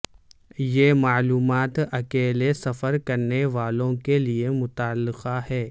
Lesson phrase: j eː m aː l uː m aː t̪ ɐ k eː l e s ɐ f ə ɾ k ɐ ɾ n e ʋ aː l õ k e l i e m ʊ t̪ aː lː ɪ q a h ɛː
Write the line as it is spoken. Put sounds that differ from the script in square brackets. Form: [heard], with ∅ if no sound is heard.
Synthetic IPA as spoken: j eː m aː l uː m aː t̪ ɐ k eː l e s ɐ f ə ɾ k ɐ ɾ n e ʋ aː l õ k e l i e m ʊ t̪ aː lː ɪ q a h ɛː